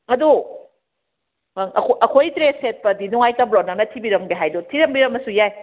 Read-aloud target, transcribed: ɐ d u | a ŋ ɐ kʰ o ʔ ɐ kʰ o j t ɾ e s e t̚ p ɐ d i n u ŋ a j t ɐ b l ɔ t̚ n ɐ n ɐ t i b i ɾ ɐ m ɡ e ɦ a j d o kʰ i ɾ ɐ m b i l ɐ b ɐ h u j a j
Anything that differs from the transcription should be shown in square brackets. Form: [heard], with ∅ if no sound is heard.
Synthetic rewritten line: ɐ d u | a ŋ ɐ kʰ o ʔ ɐ kʰ o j t ɾ e s e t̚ p ɐ d i n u ŋ a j t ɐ b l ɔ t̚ n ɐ n ɐ [tʰ] i b i ɾ ɐ m ɡ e ɦ a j d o [tʰ] i ɾ ɐ m b i [ɾ] ɐ [m] ɐ [s] u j a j